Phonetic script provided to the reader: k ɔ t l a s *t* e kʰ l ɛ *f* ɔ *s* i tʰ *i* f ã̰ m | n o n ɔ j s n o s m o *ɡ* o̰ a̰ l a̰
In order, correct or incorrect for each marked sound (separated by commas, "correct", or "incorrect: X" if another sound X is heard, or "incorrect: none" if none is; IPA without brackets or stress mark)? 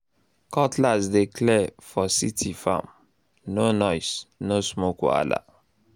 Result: incorrect: d, correct, correct, correct, incorrect: k